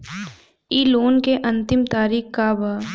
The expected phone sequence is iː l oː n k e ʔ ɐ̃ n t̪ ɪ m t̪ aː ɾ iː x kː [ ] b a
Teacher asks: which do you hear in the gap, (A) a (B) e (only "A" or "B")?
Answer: A